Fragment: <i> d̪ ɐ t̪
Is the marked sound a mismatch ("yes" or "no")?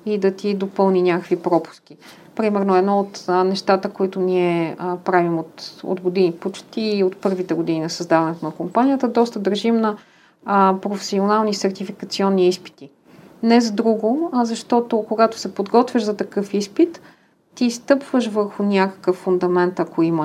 no